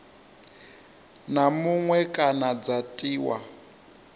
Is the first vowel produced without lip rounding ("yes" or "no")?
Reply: yes